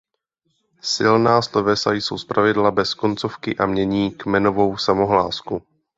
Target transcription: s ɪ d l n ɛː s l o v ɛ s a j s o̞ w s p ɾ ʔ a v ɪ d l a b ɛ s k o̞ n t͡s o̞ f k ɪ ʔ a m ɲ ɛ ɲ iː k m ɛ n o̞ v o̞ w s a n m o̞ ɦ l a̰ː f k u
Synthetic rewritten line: s ɪ l n aː s l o v ɛ s a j s o̞ w s p ɾ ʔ a v ɪ d l a b ɛ s k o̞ n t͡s o̞ f k ɪ ʔ a m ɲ ɛ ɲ iː k m ɛ n o̞ v o̞ w s a m o̞ ɦ l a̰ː s k u